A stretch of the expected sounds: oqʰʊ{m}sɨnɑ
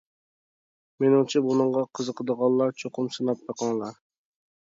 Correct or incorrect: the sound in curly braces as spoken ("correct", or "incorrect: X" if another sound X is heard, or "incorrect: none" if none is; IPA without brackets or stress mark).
correct